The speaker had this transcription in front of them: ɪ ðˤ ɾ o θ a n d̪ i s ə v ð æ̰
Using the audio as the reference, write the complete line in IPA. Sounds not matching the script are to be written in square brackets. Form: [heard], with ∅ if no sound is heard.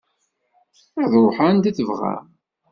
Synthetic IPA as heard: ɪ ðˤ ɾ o [ħ] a n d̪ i [θ] ə v [ʁ] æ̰